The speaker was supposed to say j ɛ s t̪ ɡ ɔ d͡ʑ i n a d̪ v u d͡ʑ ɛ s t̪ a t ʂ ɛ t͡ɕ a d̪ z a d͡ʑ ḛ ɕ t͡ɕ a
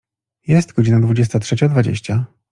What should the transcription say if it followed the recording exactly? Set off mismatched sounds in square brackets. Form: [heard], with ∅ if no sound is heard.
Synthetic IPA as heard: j ɛ s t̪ ɡ ɔ d͡ʑ i n a d̪ v u d͡ʑ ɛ s t̪ a t ʂ ɛ t͡ɕ a d̪ [v] a d͡ʑ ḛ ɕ t͡ɕ a